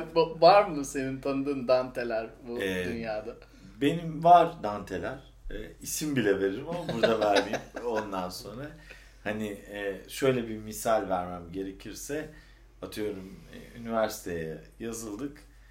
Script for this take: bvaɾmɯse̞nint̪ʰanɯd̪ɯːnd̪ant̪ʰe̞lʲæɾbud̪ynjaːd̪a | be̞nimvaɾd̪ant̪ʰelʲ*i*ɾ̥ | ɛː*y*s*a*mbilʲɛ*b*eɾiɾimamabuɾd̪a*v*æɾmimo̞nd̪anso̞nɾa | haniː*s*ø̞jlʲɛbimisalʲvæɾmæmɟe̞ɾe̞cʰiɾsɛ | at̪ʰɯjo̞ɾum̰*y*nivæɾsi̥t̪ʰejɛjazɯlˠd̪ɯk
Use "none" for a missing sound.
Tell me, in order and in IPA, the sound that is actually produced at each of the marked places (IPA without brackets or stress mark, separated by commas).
æ, i, i, v, v, ʃ, y